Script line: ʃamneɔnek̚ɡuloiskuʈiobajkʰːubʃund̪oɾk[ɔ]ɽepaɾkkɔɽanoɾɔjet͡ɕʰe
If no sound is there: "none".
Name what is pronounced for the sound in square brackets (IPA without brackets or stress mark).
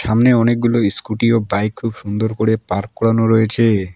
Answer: o